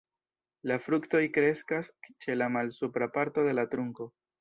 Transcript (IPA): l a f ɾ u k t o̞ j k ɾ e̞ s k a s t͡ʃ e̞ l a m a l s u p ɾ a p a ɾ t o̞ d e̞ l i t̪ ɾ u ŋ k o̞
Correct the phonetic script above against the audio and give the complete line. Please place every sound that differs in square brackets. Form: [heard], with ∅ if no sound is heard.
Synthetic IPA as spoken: l a f ɾ u k t o̞ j k ɾ e̞ s k a s t͡ʃ e̞ l a m a l s u p ɾ a p a ɾ t o̞ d e̞ l [a] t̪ ɾ u ŋ k o̞